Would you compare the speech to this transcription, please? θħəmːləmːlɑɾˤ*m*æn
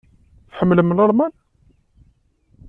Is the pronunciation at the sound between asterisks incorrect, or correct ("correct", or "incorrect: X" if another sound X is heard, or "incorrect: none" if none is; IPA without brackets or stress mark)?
correct